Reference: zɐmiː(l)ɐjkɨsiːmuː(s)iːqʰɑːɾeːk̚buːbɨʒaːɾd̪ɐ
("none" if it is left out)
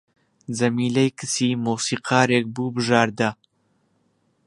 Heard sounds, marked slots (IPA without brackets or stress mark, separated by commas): l, s